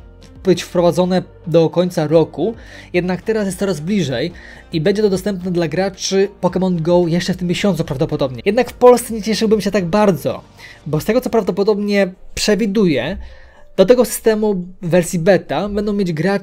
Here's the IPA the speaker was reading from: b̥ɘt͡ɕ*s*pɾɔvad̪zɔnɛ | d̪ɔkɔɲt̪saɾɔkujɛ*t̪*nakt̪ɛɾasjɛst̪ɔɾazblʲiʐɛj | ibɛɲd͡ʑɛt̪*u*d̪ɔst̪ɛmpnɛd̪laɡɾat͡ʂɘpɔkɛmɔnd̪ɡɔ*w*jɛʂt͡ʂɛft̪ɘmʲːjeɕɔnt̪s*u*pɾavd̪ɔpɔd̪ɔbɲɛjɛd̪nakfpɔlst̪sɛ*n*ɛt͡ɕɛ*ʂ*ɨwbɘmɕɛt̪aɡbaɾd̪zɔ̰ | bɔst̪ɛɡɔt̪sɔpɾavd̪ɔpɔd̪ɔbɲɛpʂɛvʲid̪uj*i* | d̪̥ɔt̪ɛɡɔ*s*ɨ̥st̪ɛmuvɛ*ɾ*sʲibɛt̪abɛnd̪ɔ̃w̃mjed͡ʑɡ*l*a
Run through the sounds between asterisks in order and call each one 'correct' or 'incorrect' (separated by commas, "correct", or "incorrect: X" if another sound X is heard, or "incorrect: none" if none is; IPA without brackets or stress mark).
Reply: incorrect: f, incorrect: d̪, incorrect: ɔ, correct, correct, incorrect: ɲ, correct, incorrect: ɛ, correct, correct, incorrect: ɾ